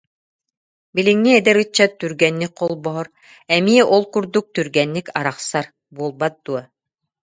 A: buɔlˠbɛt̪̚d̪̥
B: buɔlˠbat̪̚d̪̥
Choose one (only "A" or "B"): B